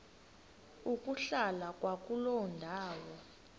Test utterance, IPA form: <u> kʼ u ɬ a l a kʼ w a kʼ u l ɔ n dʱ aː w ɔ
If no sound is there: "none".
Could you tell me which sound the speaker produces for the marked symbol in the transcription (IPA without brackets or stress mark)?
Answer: u